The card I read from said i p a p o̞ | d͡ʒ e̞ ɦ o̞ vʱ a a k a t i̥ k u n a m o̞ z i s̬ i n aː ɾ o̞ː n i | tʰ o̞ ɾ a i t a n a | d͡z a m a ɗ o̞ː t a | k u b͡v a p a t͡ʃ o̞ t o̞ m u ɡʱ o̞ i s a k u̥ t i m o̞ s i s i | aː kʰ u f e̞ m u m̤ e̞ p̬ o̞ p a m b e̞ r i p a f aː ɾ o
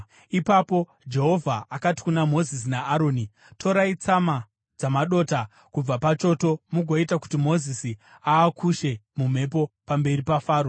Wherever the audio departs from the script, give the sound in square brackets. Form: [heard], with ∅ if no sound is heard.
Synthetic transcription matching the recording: i p a p o̞ | d͡ʒ e̞ ɦ o̞ vʱ a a k a t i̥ k u n a m o̞ z i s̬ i n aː ɾ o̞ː n i | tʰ o̞ ɾ a i [t͡s] a [m] a | d͡z a m a ɗ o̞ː t a | k u b͡v a p a t͡ʃ o̞ t o̞ m u ɡʱ o̞ i [t] a k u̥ t i m o̞ [z] i s i | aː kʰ u [ʃ] e̞ m u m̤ e̞ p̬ o̞ p a m b e̞ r i p a f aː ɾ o